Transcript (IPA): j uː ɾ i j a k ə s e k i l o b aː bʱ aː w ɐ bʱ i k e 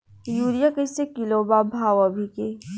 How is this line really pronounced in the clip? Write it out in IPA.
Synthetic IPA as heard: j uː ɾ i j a k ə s e k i l o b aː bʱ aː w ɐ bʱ i k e

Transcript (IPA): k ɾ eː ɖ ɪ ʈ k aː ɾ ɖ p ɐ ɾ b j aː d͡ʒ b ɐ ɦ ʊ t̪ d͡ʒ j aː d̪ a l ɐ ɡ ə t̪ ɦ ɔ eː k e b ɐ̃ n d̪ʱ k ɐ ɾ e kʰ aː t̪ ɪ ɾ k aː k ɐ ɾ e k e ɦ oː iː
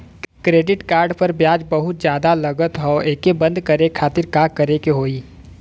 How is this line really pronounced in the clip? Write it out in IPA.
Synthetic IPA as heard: k ɾ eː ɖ ɪ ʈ k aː ɾ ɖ p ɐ ɾ b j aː d͡ʒ b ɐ ɦ ʊ t̪ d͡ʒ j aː d̪ a l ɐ ɡ ə t̪ ɦ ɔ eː k e b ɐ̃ n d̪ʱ k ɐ ɾ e kʰ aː t̪ ɪ ɾ k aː k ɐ ɾ e k e ɦ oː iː

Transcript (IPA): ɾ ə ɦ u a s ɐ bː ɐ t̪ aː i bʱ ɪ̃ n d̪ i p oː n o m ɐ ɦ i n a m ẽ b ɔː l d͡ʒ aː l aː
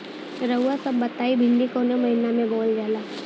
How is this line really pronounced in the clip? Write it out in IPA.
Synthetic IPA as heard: ɾ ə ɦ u a s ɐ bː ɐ t̪ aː i bʱ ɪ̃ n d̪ i k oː n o m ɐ ɦ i n a m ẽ b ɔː l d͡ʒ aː l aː

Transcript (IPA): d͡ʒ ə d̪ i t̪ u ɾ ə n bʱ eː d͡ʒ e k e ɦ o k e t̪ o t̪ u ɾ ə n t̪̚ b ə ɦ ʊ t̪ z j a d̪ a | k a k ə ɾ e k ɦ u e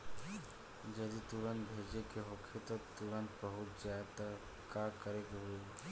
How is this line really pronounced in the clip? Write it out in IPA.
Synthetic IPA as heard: d͡ʒ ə d̪ i t̪ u ɾ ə n bʱ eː d͡ʒ e k e ɦ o kʰ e t̪ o t̪ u ɾ ə n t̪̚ b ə ɦ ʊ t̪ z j a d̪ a | k a k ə ɾ e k ɦ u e

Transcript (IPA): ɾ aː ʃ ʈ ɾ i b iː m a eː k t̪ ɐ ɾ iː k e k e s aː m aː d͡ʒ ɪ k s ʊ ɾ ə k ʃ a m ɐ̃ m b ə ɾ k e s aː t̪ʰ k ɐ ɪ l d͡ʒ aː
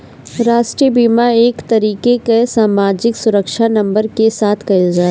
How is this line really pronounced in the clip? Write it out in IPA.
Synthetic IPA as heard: ɾ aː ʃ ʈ ɾ i b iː m a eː k t̪ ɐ ɾ iː k e k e s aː m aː d͡ʒ ɪ k s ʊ ɾ ə k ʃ a n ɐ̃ m b ə ɾ k e s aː t̪ʰ k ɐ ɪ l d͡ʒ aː

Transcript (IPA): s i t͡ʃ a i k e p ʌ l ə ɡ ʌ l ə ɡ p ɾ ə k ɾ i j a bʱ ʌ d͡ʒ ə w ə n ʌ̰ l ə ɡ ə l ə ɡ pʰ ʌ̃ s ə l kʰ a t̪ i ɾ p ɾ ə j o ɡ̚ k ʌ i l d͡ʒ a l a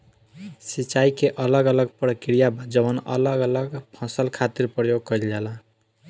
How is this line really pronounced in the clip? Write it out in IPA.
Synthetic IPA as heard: s i t͡ʃ a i k e ʔ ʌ l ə ɡ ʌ l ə ɡ p ɾ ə k ɾ i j a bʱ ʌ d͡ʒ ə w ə n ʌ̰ l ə ɡ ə l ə ɡ pʰ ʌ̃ s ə l kʰ a t̪ i ɾ p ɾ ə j o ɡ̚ k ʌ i l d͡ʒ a l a

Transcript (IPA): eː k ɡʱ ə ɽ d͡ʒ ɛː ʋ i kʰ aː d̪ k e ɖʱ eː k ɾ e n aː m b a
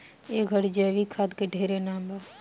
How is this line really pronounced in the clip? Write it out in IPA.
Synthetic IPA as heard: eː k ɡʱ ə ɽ d͡ʒ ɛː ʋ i kʰ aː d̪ k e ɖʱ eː ɾ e n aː m b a

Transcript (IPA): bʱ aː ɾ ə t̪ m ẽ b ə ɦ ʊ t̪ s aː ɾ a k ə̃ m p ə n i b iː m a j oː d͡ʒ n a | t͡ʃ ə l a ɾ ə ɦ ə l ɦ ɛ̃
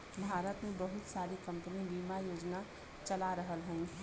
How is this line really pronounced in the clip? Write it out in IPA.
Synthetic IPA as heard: bʱ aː ɾ ə t̪ m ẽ b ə ɦ ʊ t̪ s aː ɾ i k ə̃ m p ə n i b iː m a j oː d͡ʒ n a | t͡ʃ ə l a ɾ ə ɦ ə l ɦ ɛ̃

